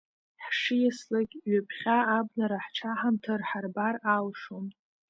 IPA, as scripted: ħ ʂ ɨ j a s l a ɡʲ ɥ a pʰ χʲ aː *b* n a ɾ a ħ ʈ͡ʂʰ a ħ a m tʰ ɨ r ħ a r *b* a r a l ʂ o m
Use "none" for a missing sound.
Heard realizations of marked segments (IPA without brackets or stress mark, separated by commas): b, b